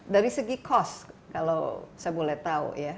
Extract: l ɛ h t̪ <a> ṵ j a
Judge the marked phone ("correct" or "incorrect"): correct